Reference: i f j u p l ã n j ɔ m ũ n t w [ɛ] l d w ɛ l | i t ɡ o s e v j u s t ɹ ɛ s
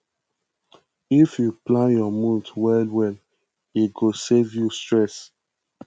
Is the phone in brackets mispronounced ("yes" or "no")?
no